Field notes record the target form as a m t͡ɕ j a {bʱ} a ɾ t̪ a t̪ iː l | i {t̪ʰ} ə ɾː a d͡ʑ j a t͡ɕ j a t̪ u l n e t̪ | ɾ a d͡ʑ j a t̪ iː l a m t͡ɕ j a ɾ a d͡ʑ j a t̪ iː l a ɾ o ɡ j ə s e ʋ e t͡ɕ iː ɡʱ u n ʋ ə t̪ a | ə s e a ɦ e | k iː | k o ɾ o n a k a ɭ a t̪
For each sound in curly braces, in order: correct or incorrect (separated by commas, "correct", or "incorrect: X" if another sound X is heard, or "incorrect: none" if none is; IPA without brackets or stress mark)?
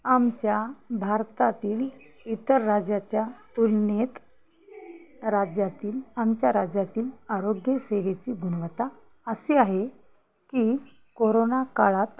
correct, incorrect: t̪